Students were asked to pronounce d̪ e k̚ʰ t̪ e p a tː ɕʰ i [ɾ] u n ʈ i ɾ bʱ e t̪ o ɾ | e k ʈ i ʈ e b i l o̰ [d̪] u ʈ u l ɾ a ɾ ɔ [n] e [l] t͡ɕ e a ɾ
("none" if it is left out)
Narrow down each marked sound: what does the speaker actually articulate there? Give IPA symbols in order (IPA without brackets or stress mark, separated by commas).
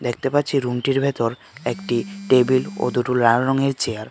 ɾ, d̪, ŋ, ɾ